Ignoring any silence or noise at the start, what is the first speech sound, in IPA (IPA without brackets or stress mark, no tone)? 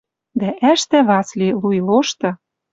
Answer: d̪